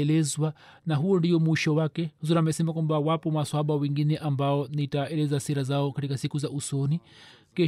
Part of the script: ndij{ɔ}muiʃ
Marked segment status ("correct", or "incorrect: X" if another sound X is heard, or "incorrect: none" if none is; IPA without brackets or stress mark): correct